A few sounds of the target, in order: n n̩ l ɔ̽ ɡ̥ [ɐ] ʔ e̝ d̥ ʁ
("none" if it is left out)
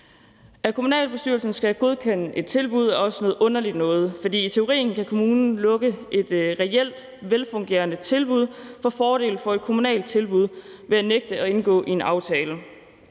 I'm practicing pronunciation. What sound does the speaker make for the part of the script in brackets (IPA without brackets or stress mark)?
ə